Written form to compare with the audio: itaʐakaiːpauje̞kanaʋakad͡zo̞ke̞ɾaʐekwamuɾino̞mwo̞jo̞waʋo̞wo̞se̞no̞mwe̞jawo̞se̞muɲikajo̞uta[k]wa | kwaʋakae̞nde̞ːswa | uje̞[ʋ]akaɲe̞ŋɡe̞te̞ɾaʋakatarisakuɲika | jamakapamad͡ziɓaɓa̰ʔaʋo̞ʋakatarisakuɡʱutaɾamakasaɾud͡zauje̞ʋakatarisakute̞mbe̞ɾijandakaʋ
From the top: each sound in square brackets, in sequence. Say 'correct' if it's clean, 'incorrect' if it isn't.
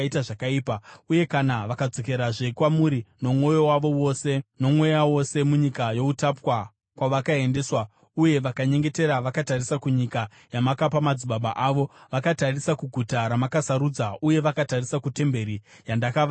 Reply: incorrect, correct

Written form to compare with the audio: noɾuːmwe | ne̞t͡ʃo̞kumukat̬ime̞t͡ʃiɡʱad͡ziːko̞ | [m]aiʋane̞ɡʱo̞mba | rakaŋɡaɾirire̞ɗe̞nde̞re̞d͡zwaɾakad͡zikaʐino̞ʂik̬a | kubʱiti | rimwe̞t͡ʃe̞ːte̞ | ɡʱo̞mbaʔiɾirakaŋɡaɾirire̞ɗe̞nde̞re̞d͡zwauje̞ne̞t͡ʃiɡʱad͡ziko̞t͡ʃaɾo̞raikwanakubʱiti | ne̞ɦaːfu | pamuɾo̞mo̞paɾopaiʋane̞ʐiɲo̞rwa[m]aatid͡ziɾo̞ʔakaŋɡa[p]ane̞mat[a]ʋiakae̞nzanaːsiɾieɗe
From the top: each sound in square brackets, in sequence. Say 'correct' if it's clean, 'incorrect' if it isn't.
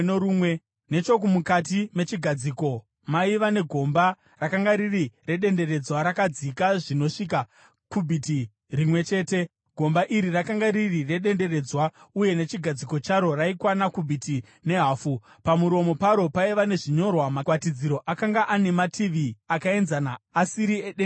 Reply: correct, correct, incorrect, incorrect

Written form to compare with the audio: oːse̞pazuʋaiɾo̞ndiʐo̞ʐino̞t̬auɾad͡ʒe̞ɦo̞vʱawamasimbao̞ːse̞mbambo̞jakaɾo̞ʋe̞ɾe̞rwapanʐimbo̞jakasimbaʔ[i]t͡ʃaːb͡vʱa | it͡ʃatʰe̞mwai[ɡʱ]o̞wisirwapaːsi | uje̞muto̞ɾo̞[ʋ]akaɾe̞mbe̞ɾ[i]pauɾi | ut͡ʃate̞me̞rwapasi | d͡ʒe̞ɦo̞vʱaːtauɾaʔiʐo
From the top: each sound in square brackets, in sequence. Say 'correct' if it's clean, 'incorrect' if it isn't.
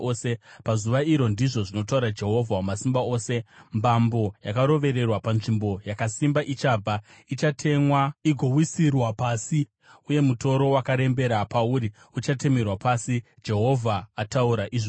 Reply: correct, correct, incorrect, incorrect

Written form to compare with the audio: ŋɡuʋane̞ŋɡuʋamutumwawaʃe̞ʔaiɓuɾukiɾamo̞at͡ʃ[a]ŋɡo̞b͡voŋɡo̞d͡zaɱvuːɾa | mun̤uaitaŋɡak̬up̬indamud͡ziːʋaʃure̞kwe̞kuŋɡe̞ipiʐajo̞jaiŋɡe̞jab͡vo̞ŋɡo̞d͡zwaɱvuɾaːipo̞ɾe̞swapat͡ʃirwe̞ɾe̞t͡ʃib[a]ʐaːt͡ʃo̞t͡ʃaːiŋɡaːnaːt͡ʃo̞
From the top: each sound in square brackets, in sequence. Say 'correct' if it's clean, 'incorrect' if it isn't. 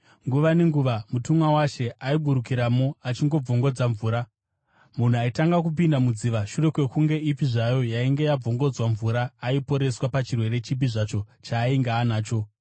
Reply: incorrect, incorrect

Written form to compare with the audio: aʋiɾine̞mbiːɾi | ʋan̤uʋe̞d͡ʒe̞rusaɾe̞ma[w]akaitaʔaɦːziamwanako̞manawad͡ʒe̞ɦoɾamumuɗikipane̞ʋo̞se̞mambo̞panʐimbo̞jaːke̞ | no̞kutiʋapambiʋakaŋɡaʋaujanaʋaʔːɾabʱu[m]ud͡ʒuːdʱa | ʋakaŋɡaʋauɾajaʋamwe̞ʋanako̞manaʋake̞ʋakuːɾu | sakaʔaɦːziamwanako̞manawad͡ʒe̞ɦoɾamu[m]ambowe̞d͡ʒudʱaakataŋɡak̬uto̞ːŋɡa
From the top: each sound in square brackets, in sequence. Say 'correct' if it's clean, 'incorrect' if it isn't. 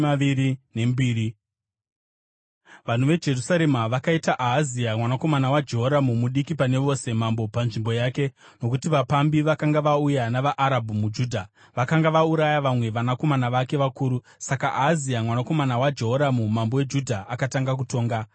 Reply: incorrect, correct, correct

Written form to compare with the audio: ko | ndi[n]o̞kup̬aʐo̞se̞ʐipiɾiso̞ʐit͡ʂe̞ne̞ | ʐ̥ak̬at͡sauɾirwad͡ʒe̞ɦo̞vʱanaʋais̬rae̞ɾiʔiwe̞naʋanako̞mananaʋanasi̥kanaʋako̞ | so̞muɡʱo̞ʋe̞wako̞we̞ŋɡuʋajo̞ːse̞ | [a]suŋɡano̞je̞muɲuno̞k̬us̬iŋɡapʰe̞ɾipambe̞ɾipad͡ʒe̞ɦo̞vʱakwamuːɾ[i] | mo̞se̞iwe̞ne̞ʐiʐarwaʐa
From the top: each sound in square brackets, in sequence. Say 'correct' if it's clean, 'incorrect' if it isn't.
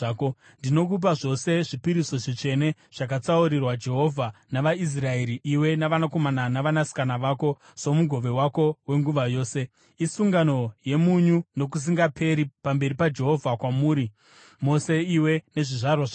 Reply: correct, incorrect, correct

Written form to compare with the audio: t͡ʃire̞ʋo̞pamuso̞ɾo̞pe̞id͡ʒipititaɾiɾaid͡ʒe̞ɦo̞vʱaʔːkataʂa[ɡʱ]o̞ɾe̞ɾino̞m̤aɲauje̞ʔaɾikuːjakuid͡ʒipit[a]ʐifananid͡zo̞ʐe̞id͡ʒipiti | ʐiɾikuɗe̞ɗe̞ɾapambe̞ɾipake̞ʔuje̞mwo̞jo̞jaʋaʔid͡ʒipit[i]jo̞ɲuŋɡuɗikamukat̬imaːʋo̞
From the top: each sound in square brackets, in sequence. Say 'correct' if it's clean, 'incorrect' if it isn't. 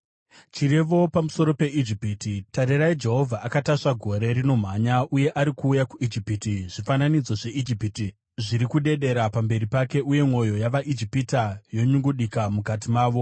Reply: correct, incorrect, incorrect

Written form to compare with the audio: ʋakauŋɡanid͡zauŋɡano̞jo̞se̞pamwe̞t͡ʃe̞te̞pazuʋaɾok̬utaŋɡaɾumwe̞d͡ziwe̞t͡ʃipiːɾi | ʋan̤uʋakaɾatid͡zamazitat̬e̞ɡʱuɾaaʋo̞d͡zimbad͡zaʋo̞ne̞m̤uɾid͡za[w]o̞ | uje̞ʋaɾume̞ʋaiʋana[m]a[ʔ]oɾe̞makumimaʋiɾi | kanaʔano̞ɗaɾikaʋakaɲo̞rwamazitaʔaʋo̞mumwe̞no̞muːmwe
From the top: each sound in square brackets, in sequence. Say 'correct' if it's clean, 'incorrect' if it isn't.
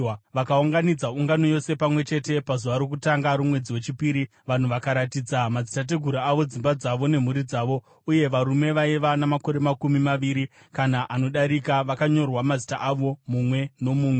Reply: incorrect, correct, incorrect

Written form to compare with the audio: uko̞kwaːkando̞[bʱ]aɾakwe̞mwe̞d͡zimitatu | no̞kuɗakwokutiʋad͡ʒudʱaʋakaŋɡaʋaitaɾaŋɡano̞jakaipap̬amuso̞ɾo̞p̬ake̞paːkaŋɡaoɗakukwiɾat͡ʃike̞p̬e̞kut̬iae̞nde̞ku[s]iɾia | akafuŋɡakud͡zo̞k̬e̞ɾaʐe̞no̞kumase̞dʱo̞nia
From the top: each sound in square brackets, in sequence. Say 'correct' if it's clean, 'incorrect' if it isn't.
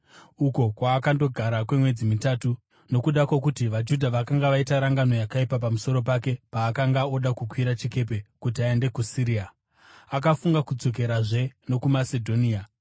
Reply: incorrect, correct

